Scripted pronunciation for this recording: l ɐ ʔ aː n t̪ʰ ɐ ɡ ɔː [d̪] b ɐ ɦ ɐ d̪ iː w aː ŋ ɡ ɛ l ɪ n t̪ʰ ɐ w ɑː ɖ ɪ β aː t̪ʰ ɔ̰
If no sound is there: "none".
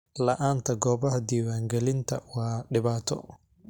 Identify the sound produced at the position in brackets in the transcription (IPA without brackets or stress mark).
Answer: none